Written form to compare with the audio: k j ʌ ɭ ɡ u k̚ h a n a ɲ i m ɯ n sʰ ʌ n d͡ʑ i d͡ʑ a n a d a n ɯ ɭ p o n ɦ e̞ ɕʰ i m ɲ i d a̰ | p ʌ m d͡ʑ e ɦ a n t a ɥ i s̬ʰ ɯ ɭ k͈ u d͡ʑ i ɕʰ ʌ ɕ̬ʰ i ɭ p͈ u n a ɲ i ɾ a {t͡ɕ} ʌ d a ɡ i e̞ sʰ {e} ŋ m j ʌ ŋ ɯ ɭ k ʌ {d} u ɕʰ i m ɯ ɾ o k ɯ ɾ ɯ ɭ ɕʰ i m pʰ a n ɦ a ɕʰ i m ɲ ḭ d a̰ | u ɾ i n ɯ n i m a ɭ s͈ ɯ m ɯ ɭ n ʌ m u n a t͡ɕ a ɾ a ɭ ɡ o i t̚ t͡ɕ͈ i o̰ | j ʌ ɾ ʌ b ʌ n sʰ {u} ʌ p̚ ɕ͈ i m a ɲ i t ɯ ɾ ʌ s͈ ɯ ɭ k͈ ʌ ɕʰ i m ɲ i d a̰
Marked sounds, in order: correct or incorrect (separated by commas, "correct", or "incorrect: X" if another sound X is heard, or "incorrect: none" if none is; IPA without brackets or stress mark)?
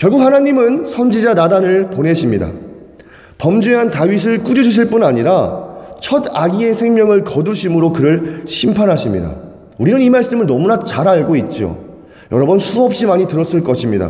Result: incorrect: t͡ɕʰ, correct, correct, correct